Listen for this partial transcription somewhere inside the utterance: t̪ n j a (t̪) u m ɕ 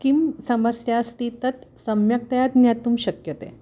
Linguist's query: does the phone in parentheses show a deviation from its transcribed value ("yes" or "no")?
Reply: no